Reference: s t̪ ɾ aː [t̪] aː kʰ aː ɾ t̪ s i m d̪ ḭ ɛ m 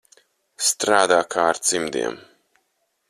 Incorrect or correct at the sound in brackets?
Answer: incorrect: d̪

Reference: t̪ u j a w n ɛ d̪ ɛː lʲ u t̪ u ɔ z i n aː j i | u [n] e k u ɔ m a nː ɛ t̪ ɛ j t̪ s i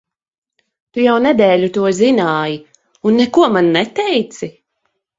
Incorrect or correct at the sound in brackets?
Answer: incorrect: nː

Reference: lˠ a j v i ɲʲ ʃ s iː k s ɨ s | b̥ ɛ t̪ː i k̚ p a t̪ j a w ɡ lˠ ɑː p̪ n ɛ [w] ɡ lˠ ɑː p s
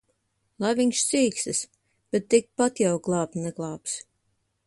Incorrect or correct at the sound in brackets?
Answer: incorrect: none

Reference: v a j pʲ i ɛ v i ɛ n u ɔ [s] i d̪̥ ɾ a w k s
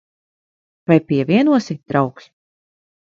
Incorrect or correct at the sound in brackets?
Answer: correct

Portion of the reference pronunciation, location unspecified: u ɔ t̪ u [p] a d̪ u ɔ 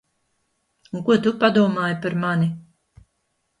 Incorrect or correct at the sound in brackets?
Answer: correct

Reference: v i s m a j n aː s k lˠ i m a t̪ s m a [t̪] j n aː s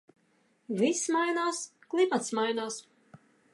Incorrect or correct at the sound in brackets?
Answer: incorrect: none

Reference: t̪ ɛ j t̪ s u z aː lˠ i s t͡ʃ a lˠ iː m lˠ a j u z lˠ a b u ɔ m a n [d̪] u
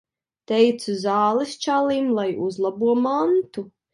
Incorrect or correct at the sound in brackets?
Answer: incorrect: t̪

